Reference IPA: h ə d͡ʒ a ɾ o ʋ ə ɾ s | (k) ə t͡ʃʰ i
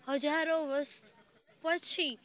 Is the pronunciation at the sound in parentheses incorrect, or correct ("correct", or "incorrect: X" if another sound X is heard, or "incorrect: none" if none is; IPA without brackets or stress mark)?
incorrect: p